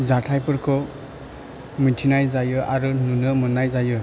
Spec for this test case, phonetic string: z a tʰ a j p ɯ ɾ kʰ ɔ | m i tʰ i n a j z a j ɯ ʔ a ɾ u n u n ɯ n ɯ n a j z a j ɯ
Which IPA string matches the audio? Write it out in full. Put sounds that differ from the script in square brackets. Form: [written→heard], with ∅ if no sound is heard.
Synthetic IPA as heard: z a tʰ a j p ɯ ɾ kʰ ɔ | m i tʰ i n a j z a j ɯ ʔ a ɾ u n u n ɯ [n→m] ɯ n a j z a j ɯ

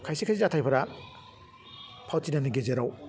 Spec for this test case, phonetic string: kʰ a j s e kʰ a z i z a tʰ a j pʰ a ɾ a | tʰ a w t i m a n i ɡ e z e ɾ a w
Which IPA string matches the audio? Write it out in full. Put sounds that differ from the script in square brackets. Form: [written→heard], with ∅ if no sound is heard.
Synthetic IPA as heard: kʰ a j s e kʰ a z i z a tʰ a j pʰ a ɾ a | [tʰ→pʰ] a w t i [m→n] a n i ɡ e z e ɾ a w

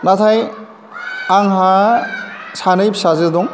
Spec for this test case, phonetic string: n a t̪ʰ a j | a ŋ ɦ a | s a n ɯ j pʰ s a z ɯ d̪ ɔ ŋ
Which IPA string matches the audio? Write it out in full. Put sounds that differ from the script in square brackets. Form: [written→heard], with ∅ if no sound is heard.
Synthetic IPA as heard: n a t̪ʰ a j | a ŋ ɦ a | s a n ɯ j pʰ s a z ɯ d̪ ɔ ŋ

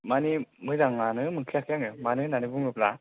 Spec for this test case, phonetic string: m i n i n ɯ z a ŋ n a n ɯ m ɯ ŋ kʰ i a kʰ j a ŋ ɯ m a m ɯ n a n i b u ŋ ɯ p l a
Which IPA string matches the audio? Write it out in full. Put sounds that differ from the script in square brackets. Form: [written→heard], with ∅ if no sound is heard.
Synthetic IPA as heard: m [i→a] n i [n→m] ɯ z a ŋ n a n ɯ m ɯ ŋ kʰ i a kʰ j a ŋ ɯ m a [m→n] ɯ n a n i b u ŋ ɯ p l a

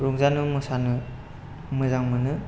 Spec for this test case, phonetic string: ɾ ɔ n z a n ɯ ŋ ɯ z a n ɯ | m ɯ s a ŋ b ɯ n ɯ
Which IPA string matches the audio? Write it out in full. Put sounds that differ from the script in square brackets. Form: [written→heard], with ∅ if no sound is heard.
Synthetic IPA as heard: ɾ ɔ [n→ŋ] z a n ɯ [ŋ→m] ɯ [z→s] a n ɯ | m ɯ [s→z] a ŋ [b→m] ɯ n ɯ

